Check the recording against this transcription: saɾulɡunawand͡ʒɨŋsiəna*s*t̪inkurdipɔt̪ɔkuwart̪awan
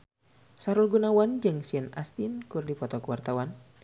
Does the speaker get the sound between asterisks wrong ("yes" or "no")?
no